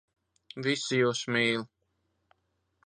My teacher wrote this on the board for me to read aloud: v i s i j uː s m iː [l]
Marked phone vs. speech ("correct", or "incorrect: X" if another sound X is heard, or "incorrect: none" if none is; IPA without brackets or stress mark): correct